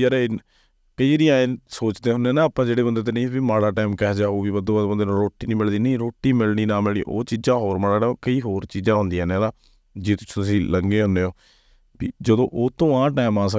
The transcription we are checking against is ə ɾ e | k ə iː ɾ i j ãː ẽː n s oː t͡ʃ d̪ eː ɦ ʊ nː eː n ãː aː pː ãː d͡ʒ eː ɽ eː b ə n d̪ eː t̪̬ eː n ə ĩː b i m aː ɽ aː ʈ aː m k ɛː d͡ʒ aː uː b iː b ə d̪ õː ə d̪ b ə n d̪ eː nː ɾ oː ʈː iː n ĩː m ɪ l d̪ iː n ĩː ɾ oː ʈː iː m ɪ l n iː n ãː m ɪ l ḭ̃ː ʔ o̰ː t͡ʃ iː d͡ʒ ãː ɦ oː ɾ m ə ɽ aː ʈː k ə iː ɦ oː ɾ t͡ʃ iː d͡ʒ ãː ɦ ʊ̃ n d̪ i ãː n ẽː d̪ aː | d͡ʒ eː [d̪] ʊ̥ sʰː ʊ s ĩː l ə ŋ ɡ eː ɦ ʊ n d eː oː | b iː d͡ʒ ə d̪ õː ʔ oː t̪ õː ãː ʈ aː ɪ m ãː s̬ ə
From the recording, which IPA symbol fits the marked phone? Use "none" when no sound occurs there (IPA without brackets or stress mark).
t̪